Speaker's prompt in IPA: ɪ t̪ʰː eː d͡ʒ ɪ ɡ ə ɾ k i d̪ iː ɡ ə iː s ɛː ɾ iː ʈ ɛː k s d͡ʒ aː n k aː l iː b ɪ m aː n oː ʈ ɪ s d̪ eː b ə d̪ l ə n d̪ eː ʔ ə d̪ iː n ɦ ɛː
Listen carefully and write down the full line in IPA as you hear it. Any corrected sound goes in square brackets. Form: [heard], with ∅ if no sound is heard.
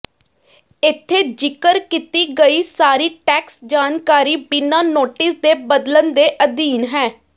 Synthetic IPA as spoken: ɪ t̪ʰː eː d͡ʒ ɪ [k] ə ɾ k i [t̪] iː ɡ ə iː s [aː] ɾ iː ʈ ɛː k s d͡ʒ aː n k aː [ɾ] iː b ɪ [n] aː n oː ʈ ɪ s d̪ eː b ə d̪ l ə n d̪ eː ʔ ə d̪ iː n ɦ ɛː

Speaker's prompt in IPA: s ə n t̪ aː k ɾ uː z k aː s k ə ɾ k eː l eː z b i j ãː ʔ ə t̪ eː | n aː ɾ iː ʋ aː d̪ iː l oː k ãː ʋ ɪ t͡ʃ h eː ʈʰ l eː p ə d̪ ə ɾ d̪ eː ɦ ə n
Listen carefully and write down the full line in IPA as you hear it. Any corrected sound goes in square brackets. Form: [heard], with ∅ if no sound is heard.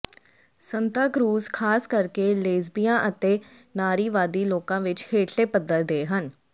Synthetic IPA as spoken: s ə n t̪ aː k ɾ uː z [kʰ] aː s k ə ɾ k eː l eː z b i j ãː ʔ ə t̪ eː | n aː ɾ iː ʋ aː d̪ iː l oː k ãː ʋ ɪ t͡ʃ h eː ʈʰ l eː p ə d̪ ə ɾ d̪ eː ɦ ə n

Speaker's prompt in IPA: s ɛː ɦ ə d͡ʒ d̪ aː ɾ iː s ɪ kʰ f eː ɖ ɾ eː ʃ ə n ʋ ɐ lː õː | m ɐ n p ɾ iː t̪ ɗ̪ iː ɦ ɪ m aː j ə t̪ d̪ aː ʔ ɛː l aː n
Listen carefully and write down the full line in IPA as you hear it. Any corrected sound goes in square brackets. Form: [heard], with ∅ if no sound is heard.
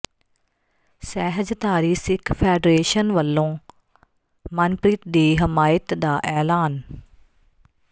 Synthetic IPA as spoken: s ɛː ɦ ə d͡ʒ [t̪] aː ɾ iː s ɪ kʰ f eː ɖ ɾ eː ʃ ə n ʋ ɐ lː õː | m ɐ n p ɾ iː t̪ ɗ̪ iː ɦ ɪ m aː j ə t̪ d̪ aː ʔ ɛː l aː n

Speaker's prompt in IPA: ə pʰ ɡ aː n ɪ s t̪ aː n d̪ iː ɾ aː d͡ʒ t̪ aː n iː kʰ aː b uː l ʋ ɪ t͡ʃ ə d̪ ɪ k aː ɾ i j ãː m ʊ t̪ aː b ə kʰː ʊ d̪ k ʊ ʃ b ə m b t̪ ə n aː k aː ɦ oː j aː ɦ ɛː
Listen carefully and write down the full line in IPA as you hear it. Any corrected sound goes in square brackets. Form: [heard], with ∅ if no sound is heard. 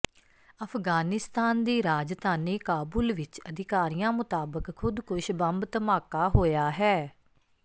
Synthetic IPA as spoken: ə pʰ ɡ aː n ɪ s t̪ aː n d̪ iː ɾ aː d͡ʒ t̪ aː n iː [k] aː b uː l ʋ ɪ t͡ʃ ə d̪ ɪ k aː ɾ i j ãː m ʊ t̪ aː b ə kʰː ʊ d̪ k ʊ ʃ b ə m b t̪ ə [m] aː k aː ɦ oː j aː ɦ ɛː

